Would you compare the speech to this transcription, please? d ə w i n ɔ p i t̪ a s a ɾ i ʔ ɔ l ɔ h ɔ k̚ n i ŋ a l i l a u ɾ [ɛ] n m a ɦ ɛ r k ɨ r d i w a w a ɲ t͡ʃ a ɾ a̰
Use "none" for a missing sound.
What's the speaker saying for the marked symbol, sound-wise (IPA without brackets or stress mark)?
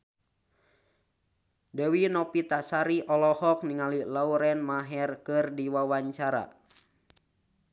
ɛ